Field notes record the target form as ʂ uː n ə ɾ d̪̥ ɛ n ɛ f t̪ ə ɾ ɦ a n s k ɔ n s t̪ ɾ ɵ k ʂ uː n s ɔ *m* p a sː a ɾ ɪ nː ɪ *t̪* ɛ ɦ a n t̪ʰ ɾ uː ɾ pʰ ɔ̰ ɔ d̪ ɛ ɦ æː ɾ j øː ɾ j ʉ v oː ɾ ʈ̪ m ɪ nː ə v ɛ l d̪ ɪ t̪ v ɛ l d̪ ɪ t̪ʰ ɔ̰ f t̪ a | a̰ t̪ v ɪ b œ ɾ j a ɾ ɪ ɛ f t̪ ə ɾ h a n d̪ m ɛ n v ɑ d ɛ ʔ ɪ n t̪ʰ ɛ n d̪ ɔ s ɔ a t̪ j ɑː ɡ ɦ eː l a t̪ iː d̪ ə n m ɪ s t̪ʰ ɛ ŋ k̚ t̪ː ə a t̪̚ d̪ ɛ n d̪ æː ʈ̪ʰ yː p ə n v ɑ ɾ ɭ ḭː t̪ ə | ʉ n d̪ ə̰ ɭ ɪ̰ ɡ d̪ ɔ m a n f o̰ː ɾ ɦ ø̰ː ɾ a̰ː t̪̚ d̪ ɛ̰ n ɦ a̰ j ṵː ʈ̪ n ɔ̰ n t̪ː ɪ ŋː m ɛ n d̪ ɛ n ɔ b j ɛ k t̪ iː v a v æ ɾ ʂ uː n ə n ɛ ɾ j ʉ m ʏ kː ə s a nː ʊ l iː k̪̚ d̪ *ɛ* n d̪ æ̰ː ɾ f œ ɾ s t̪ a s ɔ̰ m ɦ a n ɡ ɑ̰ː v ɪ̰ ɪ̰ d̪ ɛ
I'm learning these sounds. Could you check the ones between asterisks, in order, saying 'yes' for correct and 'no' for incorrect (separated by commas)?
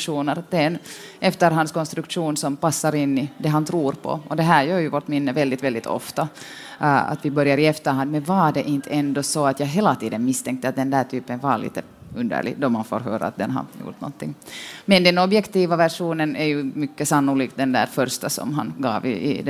yes, no, yes